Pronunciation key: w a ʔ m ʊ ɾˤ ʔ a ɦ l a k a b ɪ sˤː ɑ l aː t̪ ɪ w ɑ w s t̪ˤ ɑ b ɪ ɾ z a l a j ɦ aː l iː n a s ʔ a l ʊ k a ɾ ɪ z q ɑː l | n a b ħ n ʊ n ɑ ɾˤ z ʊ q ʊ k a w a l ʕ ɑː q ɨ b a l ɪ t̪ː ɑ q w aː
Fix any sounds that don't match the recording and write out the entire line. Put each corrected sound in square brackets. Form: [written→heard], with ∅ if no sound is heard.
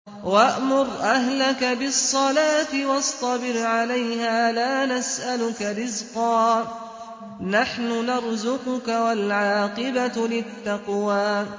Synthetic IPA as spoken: w a ʔ m ʊ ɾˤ ʔ a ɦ l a k a b ɪ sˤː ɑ l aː t̪ ɪ w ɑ [w→∅] s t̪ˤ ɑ b ɪ ɾ [z→ʕ] a l a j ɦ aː l [iː→aː] n a s ʔ a l ʊ k a ɾ ɪ z q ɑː [l→∅] | n a [b→∅] ħ n ʊ n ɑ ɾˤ z ʊ q ʊ k a w a l ʕ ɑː q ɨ b a l ɪ t̪ː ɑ q w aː